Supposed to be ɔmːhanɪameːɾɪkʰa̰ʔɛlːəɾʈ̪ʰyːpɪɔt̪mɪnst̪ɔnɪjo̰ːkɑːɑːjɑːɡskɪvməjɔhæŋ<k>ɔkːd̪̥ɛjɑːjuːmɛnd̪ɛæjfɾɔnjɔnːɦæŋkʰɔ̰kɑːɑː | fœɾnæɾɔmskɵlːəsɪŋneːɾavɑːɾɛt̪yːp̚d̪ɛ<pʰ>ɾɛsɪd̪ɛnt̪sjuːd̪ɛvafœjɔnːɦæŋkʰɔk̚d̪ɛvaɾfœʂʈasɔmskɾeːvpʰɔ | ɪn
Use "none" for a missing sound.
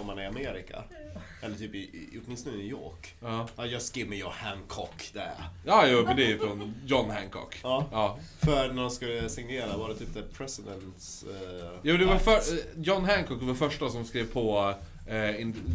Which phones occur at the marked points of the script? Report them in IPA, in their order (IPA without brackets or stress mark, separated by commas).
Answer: kʰ, pʰ